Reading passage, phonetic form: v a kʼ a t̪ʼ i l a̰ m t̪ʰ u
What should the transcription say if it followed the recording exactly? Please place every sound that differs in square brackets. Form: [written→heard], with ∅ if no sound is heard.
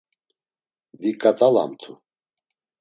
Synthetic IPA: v [a→i] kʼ a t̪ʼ [i→a] l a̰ m t̪ʰ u